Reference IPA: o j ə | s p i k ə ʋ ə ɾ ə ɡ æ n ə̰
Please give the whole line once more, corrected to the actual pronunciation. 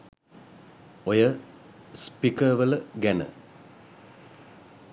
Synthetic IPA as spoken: o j ə | s p i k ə ʋ ə l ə ɡ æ n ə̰